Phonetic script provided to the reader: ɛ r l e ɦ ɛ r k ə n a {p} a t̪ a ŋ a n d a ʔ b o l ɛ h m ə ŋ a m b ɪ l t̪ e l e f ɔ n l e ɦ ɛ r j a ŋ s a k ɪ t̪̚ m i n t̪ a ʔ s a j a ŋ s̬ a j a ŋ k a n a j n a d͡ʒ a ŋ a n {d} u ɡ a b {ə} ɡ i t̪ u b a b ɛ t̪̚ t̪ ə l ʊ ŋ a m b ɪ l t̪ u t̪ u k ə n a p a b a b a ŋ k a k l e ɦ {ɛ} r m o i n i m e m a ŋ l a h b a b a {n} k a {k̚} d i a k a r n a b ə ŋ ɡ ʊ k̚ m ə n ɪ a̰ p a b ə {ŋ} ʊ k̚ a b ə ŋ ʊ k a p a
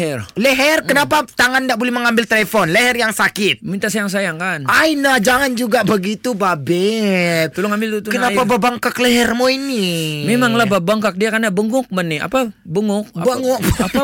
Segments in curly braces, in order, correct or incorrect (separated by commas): correct, incorrect, correct, correct, incorrect, correct, correct